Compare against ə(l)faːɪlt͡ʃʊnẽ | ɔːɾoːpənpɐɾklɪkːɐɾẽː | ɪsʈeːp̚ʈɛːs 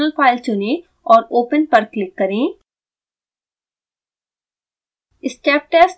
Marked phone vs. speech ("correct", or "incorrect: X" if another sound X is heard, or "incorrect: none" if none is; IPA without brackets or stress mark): correct